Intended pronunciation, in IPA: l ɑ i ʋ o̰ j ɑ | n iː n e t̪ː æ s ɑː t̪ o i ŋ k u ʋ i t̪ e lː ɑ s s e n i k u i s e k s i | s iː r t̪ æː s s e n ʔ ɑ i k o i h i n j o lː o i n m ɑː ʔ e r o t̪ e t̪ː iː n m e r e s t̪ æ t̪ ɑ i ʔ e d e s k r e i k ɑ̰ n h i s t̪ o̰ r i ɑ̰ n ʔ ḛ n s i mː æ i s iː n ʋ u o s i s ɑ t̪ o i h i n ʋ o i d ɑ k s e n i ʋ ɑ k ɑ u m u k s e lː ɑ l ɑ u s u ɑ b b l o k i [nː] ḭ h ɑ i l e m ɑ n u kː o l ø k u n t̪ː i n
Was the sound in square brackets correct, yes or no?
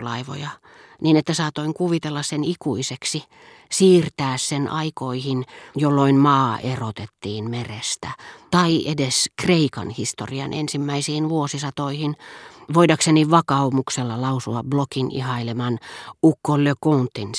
no